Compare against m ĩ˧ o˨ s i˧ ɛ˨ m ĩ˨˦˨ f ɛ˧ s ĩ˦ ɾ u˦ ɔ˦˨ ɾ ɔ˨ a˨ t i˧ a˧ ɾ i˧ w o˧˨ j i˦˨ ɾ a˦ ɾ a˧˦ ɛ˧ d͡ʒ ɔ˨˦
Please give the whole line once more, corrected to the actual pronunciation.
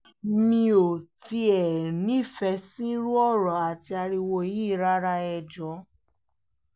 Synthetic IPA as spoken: m ĩ˧ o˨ t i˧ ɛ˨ n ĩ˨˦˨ f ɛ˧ s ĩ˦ ɾ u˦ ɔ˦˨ ɾ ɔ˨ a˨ t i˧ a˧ ɾ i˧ w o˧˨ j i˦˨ ɾ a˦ ɾ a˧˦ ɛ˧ d͡ʒ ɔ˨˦

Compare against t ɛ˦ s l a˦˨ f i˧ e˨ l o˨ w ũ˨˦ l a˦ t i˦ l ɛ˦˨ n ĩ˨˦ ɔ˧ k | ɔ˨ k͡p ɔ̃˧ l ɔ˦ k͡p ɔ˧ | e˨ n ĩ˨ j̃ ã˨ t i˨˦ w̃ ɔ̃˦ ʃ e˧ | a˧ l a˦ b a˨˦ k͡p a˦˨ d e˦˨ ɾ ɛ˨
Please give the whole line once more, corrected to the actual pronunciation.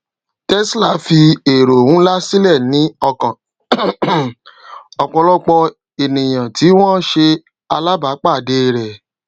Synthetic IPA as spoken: t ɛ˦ s l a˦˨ f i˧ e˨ ɾ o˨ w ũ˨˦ l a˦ s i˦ l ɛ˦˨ n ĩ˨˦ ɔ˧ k | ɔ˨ k͡p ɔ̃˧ l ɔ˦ k͡p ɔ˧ | e˨ n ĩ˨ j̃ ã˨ t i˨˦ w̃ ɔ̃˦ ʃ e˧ | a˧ l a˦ b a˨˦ k͡p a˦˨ d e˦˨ ɾ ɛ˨

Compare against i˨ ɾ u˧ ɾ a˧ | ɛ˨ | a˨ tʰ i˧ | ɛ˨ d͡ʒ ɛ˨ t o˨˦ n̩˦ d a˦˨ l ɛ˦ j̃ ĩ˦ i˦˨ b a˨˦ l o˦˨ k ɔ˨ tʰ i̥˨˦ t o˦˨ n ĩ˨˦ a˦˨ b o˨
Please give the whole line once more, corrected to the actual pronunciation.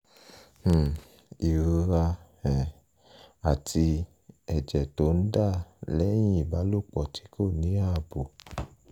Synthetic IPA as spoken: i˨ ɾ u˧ ɾ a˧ | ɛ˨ | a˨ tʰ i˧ | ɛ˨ d͡ʒ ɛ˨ t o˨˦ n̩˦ d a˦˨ l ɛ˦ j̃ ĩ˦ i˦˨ b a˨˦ l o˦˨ k͡p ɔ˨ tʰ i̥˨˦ k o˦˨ n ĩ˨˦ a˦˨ b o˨

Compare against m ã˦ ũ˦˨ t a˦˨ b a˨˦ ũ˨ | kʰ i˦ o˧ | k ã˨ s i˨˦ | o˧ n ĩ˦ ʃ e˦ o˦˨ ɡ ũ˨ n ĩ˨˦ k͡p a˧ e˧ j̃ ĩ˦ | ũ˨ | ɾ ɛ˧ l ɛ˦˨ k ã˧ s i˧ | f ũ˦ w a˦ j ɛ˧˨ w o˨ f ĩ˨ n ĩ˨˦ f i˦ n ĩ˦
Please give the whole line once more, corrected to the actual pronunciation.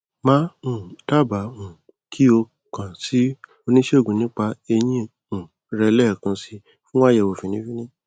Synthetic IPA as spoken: m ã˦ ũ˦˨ t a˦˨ b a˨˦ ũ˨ | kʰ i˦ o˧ | k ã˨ s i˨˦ | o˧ n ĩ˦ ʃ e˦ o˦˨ ɡ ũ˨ n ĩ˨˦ k͡p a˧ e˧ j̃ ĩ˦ | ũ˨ | ɾ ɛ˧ l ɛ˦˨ k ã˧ s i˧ | f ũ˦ w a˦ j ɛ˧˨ w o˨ f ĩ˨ n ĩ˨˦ f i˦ n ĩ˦

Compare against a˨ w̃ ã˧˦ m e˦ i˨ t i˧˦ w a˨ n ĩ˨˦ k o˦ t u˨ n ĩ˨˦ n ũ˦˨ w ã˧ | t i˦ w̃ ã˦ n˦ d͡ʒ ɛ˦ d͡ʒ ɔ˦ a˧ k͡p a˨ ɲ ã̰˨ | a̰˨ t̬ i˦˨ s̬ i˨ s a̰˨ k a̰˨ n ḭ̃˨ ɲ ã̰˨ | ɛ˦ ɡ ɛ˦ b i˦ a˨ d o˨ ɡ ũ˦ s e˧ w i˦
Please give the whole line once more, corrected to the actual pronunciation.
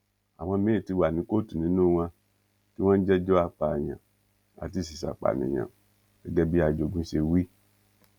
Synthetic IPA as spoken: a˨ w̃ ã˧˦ m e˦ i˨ t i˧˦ w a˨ n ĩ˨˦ k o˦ t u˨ n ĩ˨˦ n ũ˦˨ w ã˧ | t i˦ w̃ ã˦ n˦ d͡ʒ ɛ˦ d͡ʒ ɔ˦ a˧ k͡p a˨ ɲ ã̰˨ | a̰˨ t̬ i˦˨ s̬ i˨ s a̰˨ k͡p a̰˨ n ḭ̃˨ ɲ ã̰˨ | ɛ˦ ɡ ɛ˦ b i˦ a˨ d͡ʒ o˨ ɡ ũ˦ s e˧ w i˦

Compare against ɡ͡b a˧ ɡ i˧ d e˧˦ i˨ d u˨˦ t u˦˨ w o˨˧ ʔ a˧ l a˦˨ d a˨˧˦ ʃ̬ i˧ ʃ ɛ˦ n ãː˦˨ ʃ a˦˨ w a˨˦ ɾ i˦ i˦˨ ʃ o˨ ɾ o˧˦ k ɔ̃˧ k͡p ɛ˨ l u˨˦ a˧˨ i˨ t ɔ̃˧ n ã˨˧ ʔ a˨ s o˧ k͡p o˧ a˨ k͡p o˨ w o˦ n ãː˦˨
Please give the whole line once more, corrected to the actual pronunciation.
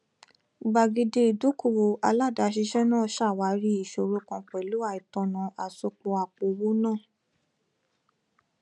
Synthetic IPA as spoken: ɡ͡b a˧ ɡ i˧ d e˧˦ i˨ d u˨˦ k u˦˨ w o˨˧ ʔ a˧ l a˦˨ d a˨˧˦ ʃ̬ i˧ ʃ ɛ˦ n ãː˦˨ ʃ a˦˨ w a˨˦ ɾ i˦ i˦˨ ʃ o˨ ɾ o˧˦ k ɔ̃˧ k͡p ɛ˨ l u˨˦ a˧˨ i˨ t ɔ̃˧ n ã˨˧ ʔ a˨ s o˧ k͡p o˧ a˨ k͡p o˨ w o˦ n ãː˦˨

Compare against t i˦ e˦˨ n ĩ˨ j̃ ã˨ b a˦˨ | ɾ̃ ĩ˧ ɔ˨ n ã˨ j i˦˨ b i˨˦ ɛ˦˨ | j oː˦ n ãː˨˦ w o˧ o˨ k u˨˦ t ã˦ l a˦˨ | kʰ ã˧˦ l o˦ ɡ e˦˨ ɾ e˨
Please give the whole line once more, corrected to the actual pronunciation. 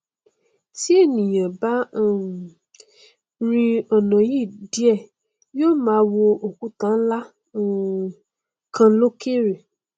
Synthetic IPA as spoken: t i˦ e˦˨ n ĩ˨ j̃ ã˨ b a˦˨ | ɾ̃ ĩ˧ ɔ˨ n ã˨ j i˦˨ d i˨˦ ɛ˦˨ | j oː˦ m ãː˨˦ w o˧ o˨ k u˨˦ t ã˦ l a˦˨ | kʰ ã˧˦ l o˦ k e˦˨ ɾ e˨

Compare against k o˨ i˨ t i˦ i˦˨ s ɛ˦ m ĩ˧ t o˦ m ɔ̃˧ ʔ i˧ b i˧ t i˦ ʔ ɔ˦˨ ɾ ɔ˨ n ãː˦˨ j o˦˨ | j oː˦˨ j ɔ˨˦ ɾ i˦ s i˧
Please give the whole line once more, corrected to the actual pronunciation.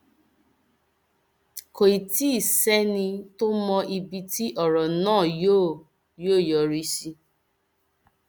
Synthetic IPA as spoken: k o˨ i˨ t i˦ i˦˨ s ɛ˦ n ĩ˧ t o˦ m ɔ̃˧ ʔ i˧ b i˧ t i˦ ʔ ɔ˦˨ ɾ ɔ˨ n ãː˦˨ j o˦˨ | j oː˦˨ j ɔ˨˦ ɾ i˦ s i˧

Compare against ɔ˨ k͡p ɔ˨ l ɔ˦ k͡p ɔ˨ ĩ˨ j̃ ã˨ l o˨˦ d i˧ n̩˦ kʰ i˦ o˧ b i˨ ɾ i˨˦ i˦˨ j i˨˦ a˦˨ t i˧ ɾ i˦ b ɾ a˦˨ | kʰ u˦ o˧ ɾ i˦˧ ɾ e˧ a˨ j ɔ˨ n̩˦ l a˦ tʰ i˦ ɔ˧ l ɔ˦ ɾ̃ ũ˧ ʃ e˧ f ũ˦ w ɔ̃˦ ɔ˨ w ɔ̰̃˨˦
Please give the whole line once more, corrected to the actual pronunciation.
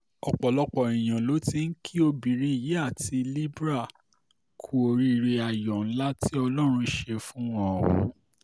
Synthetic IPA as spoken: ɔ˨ k͡p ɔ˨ l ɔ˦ k͡p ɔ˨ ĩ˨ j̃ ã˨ l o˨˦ t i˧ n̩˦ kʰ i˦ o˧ b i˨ ɾ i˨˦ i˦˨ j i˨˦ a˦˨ t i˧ l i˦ b ɾ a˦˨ | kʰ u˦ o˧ ɾ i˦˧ ɾ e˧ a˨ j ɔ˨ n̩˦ l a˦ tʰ i˦ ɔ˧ l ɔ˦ ɾ̃ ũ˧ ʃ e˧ f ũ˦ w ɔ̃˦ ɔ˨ w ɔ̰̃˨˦

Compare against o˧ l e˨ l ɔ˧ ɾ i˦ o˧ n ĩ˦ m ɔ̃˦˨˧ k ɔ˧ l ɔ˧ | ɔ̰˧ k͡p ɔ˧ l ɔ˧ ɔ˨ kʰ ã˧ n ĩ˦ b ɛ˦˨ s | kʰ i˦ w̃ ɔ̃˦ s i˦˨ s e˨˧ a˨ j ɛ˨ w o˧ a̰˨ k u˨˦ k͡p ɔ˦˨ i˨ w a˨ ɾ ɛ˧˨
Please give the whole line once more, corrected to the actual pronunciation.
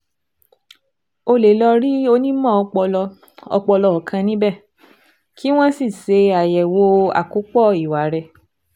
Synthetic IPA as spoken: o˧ l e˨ l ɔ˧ ɾ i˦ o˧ n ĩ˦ m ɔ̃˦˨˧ k͡p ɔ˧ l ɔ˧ | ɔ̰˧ k͡p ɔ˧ l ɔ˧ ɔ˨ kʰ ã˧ n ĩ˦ b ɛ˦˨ | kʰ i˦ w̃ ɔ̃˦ s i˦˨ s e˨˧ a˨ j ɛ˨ w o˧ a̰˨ k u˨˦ k͡p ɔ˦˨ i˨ w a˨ ɾ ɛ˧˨

